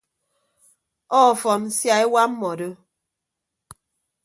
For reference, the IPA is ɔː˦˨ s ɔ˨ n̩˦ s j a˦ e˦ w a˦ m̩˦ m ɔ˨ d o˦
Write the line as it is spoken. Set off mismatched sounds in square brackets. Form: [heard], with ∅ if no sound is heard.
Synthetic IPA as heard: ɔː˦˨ [f] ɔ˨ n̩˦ s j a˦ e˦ w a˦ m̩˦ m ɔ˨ d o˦